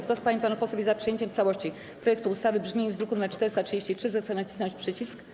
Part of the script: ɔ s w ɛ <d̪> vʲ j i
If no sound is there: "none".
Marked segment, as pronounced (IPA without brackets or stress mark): none